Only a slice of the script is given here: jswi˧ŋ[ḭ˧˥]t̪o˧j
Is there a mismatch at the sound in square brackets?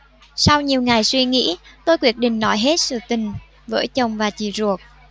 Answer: no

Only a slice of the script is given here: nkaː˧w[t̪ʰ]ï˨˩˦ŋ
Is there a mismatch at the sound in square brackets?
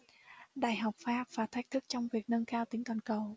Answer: yes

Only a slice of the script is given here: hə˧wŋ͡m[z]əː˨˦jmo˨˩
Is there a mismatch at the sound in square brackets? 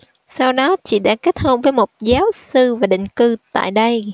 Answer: yes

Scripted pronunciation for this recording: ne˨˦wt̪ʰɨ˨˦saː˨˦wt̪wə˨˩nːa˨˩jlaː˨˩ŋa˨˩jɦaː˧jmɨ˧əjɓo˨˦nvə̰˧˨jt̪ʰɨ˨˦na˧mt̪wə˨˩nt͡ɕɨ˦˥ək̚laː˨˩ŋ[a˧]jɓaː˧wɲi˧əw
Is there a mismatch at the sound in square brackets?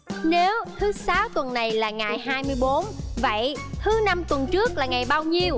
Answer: yes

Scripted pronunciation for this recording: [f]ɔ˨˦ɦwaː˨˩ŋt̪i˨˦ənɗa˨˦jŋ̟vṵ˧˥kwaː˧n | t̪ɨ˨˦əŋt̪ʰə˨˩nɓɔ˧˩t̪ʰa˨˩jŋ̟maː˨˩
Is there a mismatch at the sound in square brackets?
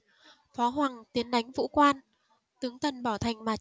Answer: no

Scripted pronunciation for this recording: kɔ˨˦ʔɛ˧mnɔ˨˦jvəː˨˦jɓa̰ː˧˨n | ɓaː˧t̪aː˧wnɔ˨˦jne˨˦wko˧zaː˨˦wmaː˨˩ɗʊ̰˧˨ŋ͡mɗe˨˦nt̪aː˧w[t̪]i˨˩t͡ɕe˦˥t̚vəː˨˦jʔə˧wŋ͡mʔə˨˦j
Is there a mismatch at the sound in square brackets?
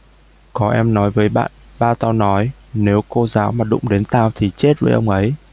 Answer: yes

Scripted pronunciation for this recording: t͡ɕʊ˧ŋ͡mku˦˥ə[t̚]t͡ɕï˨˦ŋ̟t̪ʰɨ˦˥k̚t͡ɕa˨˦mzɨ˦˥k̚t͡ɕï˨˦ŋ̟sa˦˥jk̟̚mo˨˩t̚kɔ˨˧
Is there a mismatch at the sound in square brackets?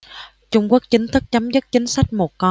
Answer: yes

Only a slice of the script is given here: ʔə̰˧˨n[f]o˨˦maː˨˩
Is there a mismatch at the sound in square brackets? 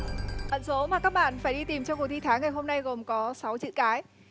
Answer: yes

